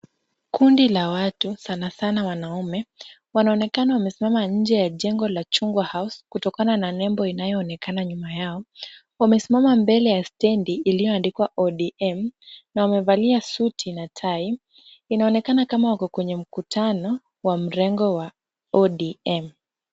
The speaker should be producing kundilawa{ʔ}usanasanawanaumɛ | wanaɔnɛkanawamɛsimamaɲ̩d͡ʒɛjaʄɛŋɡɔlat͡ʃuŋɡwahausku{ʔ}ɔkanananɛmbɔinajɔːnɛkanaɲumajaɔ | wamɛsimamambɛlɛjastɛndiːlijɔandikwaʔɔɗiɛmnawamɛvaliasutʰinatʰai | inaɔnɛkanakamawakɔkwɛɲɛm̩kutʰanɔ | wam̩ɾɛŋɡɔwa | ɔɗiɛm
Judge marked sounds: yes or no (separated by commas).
no, no